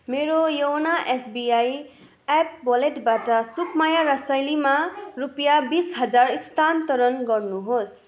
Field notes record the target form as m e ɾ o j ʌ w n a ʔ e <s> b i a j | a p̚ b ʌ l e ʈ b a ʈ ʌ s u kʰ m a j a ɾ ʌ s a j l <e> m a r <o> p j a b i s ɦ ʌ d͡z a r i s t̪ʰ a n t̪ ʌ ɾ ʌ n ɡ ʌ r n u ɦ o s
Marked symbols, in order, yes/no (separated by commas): yes, no, no